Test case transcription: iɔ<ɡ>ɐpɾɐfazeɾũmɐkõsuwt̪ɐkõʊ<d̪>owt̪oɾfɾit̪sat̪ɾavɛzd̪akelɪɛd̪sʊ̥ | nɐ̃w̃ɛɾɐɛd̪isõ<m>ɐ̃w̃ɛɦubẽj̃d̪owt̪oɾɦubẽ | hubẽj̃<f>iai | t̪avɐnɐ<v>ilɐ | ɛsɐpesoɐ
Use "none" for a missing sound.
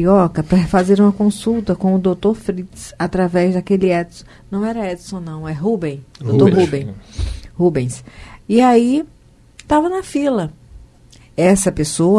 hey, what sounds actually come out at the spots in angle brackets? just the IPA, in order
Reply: k, d̪, n, s, f

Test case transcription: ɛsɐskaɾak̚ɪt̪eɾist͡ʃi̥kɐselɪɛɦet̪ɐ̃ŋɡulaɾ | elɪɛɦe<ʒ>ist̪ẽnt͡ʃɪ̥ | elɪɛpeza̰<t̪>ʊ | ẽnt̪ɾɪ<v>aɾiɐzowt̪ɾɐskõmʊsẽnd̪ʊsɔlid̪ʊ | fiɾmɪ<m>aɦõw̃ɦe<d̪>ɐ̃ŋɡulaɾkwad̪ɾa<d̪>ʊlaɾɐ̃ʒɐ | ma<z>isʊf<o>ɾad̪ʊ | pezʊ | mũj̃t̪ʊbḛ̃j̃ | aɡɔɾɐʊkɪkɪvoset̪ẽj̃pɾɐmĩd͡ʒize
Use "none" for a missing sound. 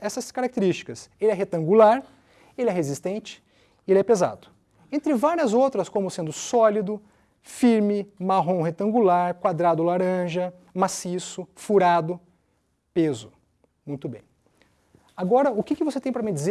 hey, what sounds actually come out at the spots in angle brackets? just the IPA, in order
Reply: z, d̪, v, m, t̪, d̪, s, u

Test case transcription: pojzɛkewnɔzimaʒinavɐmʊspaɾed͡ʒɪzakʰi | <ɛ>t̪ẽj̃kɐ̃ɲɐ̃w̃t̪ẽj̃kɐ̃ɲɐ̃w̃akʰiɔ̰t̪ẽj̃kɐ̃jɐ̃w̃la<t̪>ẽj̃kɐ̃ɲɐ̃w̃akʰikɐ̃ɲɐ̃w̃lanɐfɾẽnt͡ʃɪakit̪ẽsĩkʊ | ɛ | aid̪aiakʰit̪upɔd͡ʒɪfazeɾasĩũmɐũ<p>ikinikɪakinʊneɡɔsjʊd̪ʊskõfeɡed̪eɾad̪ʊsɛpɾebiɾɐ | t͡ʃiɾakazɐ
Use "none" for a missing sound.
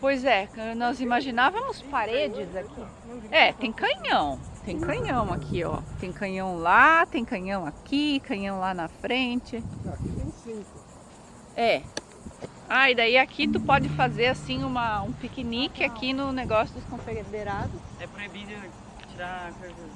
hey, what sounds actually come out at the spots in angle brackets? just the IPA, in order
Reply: ɛ, t̪, p

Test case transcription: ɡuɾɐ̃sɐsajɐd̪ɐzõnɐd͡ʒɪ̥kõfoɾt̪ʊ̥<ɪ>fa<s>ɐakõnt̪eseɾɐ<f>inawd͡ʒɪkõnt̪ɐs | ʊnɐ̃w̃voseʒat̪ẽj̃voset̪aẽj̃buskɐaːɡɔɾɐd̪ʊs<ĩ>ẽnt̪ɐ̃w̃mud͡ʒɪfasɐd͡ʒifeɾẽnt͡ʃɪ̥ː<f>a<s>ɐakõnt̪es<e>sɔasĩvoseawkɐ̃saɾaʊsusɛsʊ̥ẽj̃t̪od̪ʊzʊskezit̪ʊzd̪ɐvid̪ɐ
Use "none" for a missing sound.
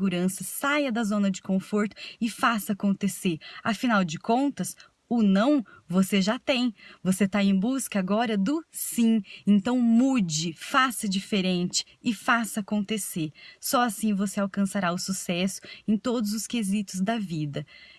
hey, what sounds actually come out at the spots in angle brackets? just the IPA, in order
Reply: ɪ, s, f, ĩ, f, s, e

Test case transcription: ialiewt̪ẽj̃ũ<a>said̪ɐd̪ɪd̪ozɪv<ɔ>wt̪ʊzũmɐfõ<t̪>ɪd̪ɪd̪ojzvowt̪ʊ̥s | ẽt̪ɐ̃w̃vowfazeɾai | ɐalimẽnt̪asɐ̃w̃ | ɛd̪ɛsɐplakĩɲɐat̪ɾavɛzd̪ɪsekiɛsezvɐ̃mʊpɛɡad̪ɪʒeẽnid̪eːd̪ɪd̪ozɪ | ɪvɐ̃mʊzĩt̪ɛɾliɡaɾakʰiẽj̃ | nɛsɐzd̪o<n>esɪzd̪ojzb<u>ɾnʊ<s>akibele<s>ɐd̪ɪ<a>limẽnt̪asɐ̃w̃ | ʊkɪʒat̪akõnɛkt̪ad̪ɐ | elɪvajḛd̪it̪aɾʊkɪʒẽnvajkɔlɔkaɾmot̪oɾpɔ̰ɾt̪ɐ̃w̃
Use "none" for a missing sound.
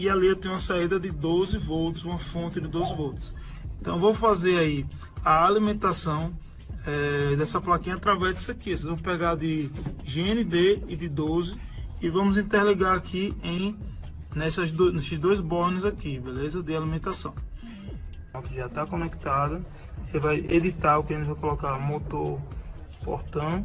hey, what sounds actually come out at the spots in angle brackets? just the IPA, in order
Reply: ɐ, o, t̪, n, ɔ, z, z, a

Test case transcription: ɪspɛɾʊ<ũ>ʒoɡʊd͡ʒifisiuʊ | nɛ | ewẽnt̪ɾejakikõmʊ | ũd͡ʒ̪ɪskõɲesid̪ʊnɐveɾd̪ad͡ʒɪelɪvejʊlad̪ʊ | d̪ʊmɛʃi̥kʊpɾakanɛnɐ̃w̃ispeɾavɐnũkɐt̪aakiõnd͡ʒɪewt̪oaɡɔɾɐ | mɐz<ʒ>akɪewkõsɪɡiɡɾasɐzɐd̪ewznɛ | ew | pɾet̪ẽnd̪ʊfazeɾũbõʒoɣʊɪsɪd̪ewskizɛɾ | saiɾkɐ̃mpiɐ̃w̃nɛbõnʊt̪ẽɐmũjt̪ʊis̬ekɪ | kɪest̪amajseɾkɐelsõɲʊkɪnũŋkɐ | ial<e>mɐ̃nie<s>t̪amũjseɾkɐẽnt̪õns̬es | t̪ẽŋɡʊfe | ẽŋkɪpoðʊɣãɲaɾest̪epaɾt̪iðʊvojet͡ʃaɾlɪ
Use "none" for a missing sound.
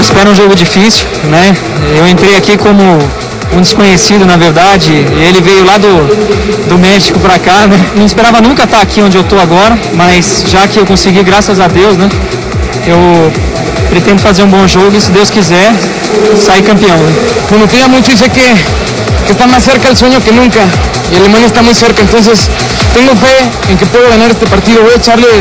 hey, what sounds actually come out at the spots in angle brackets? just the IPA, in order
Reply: ũ, ʒ, e, s

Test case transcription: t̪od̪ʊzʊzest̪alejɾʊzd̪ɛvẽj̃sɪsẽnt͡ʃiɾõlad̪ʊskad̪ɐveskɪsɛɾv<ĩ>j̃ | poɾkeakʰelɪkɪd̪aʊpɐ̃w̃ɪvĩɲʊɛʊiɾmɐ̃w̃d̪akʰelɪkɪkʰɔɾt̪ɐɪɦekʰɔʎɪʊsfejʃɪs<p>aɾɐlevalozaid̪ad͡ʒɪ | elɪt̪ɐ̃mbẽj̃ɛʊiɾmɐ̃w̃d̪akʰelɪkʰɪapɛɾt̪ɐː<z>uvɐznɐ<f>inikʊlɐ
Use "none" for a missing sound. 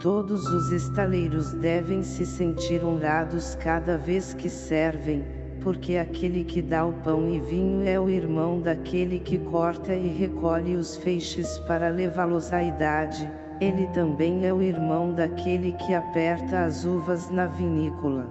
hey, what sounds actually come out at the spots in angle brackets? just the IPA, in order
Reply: ẽ, p, z, v

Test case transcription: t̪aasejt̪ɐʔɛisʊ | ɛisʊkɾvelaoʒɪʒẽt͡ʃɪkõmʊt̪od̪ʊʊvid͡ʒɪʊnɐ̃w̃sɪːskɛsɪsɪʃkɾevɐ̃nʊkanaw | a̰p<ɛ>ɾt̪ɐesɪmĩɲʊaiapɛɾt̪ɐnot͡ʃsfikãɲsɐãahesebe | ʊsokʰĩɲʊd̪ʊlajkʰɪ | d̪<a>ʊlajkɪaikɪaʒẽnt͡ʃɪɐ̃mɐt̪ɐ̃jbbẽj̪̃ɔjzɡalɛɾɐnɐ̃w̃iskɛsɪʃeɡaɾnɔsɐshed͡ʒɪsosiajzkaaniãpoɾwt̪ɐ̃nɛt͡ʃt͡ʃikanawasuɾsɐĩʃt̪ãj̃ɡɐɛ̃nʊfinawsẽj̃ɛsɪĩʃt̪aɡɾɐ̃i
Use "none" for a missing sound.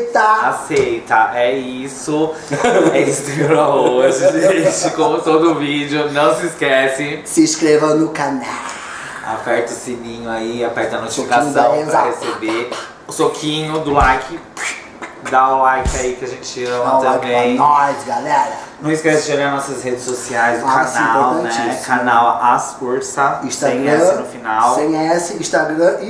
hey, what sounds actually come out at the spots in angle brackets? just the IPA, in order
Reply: ɛ, a

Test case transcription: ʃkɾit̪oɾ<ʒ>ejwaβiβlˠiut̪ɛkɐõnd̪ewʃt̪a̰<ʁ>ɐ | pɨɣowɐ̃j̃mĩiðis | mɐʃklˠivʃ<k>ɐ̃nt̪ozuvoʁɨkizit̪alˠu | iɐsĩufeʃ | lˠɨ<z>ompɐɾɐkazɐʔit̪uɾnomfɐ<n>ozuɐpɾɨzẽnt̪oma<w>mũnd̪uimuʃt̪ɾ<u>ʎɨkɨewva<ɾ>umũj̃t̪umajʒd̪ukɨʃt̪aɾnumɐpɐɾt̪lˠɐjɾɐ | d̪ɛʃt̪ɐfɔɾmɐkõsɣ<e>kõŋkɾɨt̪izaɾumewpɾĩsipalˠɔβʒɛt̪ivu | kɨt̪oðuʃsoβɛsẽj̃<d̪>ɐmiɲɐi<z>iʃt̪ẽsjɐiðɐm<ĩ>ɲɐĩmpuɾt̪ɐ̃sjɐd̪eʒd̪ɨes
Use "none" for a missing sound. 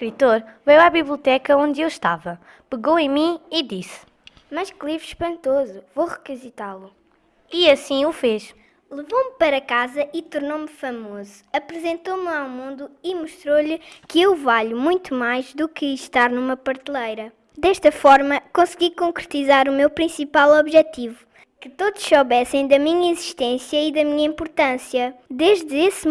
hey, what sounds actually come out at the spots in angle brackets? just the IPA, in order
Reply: v, v, p, v, m, w, o, ʎ, i, d̪, z, i

